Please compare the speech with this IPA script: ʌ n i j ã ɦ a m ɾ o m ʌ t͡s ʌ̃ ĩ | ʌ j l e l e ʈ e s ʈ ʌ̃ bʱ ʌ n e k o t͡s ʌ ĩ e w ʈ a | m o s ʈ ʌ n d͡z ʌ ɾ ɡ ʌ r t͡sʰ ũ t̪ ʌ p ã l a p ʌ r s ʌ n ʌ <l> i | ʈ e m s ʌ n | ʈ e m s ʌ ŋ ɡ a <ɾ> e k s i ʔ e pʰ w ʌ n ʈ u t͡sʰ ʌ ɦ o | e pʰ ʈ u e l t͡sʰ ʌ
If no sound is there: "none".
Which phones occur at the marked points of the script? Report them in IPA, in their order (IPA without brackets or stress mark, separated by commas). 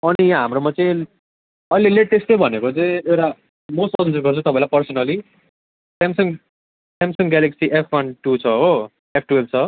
l, l